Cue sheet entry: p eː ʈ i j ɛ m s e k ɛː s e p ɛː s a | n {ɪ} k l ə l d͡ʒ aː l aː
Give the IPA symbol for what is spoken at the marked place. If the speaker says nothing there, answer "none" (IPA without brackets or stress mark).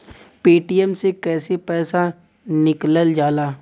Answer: ɪ